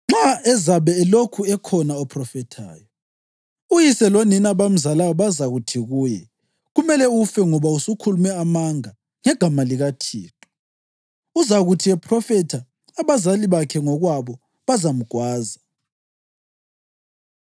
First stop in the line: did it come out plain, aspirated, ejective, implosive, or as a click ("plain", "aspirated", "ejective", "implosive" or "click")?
click